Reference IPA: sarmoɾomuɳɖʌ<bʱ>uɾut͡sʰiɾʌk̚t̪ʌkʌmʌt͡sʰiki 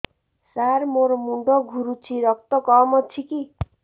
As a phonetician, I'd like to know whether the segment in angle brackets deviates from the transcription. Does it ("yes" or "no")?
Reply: yes